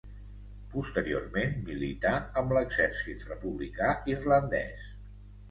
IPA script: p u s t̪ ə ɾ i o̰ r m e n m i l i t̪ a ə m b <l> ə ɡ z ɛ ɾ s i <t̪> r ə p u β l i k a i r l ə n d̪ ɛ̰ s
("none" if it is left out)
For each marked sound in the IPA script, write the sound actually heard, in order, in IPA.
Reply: l, t̪

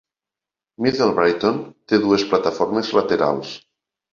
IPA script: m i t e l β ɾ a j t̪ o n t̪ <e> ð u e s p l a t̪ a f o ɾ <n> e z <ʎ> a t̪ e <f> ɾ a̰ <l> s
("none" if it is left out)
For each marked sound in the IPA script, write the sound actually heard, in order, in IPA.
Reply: e, m, l, none, l

